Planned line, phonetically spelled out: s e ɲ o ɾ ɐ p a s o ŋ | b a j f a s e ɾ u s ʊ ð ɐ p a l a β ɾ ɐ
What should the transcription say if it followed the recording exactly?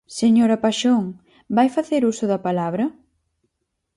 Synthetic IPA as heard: s e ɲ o ɾ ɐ p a ʃ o ŋ | b a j f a θ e ɾ u s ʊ ð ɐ p a l a β ɾ ɐ